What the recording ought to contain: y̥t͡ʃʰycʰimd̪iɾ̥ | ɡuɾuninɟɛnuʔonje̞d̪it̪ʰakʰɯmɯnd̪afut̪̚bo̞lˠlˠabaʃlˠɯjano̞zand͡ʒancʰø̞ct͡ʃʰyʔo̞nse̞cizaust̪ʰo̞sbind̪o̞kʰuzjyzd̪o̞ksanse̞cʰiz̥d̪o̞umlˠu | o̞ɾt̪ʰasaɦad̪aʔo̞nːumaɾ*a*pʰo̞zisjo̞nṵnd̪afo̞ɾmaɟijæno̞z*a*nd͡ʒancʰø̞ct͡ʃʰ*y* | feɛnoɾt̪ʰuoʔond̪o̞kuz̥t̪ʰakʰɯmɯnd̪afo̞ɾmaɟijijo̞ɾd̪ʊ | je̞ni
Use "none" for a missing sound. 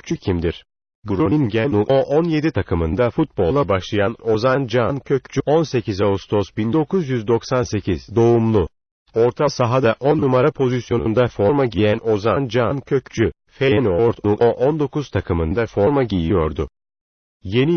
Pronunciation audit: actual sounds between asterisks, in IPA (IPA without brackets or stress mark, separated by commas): a, a, y